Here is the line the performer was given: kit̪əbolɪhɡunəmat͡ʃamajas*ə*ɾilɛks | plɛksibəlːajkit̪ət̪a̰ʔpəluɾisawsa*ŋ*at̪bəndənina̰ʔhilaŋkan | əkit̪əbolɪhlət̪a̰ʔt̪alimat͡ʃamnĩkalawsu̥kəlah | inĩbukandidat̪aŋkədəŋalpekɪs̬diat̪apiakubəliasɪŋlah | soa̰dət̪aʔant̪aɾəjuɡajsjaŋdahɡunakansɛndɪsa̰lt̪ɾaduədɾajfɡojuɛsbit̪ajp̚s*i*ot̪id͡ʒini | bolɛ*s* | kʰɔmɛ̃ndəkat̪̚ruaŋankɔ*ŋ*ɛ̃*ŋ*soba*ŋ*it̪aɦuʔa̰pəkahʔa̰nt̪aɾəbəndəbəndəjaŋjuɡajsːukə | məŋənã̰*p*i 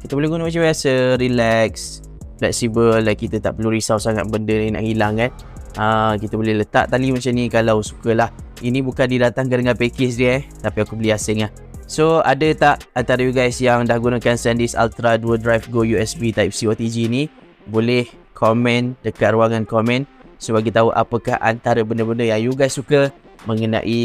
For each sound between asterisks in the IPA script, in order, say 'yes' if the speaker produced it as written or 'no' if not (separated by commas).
yes, yes, yes, no, no, no, no, no